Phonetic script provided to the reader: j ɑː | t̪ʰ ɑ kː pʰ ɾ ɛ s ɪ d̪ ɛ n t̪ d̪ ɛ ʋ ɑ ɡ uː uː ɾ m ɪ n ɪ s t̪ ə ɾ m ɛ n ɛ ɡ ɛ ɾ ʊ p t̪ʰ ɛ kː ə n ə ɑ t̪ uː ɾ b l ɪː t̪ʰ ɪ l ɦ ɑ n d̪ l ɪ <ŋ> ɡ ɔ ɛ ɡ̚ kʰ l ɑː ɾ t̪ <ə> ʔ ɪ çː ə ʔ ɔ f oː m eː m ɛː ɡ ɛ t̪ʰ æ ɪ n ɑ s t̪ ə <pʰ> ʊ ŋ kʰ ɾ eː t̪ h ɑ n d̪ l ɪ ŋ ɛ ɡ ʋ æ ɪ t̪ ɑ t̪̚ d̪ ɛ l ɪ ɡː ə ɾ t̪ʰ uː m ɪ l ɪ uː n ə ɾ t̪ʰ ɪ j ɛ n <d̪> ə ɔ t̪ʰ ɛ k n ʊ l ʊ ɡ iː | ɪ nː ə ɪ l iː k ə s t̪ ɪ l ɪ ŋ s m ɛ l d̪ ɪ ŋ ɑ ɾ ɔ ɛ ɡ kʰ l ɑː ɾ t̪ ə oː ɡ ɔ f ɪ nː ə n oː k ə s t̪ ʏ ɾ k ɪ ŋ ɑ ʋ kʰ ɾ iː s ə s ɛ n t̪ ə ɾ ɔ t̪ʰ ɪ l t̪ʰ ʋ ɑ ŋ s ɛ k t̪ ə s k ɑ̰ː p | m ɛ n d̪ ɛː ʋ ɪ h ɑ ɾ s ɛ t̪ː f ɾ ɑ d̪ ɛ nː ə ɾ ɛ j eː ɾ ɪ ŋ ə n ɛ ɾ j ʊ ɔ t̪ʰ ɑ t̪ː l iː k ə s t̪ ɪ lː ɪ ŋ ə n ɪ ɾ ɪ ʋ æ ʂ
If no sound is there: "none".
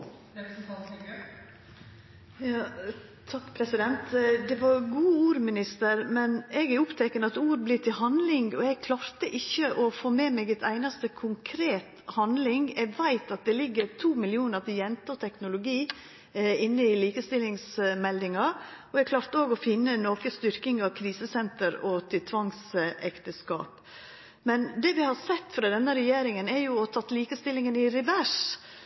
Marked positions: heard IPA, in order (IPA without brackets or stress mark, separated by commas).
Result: ŋ, ə, kʰ, t̪